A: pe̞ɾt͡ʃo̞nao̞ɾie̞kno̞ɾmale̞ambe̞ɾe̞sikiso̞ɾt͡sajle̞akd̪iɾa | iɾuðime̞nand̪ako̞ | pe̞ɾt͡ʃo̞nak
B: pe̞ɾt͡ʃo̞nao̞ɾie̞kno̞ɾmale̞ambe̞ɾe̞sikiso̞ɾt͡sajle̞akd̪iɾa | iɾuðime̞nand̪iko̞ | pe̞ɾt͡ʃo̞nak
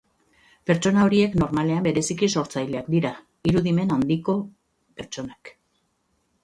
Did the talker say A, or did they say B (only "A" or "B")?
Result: B